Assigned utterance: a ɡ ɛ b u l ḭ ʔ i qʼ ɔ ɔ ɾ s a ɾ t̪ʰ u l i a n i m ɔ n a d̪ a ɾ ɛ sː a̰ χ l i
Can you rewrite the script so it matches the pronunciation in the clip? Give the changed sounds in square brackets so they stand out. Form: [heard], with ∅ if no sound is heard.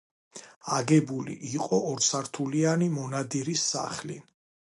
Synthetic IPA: a ɡ ɛ b u l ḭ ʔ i qʼ ɔ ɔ ɾ s a ɾ t̪ʰ u l i a n i m ɔ n a d̪ [i] ɾ [i] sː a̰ χ l i